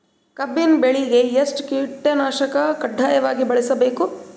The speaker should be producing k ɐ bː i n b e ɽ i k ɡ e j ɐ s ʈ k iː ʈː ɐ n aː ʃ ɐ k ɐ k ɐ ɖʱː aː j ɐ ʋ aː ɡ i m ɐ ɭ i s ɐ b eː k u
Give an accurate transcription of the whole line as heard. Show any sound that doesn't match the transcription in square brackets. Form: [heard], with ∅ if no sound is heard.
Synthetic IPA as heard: k ɐ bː i n b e [ɭ] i [∅] ɡ e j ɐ s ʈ k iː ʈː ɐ n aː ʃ ɐ k ɐ k ɐ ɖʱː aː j ɐ ʋ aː ɡ i [b] ɐ ɭ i s ɐ b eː k u